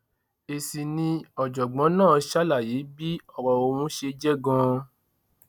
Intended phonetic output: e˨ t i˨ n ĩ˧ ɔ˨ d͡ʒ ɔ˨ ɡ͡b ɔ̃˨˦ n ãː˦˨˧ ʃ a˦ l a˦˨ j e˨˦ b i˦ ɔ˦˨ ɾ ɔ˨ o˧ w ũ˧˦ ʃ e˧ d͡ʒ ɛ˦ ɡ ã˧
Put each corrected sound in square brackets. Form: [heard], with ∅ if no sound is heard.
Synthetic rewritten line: e˨ [s] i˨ n ĩ˧ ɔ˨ d͡ʒ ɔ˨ ɡ͡b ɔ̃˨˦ n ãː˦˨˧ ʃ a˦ l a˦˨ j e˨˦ b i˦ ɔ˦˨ ɾ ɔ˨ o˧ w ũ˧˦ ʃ e˧ d͡ʒ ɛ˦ ɡ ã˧